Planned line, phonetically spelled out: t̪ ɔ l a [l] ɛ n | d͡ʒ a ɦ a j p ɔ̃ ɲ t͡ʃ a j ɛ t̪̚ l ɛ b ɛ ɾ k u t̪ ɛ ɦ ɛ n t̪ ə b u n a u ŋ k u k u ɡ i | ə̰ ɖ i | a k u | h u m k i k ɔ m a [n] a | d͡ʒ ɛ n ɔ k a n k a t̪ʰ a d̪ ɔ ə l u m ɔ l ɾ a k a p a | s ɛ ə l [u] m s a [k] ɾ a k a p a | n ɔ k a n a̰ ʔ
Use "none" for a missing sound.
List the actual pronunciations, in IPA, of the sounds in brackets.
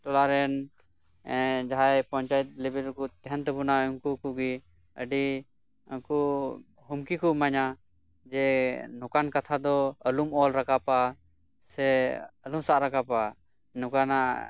ɾ, ɲ, u, ʔ

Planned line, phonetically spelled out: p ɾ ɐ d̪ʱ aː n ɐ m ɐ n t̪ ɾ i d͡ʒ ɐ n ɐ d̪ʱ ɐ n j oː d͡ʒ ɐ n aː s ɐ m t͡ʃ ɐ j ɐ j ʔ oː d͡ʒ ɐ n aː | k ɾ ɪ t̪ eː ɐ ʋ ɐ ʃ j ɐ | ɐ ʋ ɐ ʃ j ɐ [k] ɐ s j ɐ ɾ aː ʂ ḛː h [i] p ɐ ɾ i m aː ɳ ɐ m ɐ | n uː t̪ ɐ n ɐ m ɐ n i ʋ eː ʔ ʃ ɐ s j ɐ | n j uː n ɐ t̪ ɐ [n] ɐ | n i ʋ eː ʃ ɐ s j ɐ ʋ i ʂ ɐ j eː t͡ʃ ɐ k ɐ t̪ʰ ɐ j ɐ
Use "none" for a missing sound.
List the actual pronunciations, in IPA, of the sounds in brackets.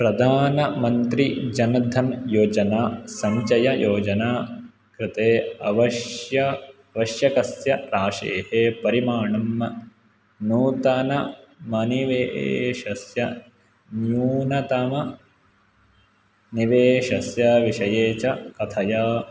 k, e, m

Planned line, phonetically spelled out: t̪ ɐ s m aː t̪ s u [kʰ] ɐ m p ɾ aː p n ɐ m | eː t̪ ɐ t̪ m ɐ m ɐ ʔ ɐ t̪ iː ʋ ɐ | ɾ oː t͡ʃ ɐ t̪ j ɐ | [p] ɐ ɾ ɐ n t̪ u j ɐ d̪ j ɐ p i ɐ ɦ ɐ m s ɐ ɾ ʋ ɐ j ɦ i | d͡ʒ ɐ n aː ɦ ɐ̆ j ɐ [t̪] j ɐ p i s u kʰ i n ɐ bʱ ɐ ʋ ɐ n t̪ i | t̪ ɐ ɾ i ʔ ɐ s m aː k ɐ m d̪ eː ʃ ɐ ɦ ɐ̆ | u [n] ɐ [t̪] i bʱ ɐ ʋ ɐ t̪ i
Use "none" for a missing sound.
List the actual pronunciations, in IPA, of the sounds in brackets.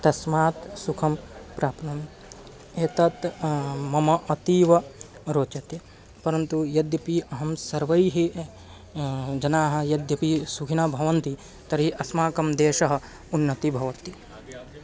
kʰ, p, d̪, nː, t̪

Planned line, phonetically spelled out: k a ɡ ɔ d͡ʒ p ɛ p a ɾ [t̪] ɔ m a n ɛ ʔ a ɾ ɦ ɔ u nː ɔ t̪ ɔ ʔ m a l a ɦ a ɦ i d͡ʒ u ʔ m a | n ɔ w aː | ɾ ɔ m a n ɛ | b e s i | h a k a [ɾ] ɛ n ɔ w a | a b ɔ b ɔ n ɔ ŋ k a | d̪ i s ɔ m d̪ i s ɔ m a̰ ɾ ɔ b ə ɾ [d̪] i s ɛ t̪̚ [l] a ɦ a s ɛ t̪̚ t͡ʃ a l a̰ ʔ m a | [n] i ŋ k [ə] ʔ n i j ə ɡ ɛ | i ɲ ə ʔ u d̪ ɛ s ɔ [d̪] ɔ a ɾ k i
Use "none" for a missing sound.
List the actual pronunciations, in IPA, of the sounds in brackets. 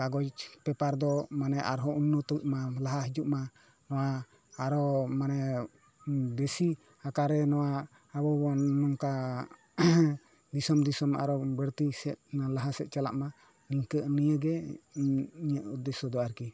d̪, ɾ, t̪, l, n, ə, d̪

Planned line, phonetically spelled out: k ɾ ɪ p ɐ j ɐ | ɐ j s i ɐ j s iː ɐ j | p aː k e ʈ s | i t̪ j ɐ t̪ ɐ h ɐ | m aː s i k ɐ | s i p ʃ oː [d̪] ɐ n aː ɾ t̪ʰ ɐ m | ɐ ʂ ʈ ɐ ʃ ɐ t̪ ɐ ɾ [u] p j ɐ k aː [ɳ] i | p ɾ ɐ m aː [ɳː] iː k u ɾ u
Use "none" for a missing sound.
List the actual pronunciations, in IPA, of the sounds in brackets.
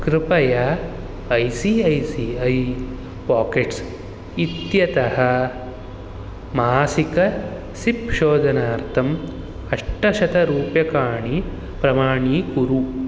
d̪, uː, ɳ, ɳ

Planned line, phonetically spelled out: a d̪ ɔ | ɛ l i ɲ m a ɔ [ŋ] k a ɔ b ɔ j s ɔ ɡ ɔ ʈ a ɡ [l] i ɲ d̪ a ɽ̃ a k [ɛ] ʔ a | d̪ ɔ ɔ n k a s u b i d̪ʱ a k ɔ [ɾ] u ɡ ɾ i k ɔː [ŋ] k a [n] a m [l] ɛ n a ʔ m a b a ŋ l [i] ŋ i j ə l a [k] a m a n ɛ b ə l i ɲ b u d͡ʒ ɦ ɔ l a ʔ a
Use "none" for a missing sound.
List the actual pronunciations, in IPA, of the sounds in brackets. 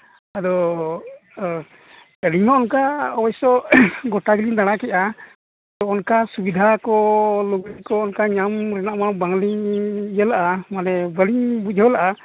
n, l, ɛ, l, n, ɲ, ɾ, i, ʔ

